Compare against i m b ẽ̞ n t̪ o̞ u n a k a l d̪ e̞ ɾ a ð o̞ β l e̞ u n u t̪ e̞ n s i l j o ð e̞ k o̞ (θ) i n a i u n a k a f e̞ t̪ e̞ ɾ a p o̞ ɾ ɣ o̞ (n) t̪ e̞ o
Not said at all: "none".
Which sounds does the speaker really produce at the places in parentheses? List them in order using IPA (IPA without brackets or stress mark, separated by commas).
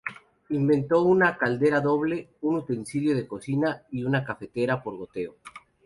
s, none